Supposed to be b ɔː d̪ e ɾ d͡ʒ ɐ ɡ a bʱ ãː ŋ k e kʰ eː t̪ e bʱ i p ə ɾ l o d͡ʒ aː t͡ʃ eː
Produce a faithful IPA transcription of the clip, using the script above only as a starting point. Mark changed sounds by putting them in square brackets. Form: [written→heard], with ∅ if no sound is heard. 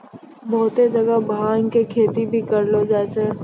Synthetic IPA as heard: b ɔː [d̪→t̪] e [ɾ→∅] d͡ʒ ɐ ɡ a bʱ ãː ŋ k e kʰ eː t̪ [e→i] bʱ i [p→k] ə ɾ l o d͡ʒ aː t͡ʃ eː